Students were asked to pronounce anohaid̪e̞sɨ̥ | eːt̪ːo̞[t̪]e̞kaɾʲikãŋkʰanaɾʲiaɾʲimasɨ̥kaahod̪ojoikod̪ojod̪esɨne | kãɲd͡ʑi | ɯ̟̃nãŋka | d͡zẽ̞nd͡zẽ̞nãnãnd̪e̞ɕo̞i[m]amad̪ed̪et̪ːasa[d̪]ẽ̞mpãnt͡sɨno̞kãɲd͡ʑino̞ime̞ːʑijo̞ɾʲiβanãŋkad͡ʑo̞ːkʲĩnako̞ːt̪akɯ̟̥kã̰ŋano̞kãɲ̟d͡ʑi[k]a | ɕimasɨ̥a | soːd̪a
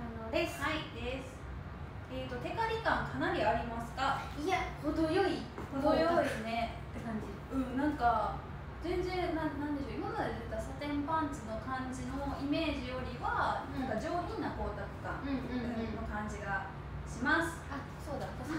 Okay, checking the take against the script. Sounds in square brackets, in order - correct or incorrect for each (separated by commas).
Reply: correct, correct, incorrect, incorrect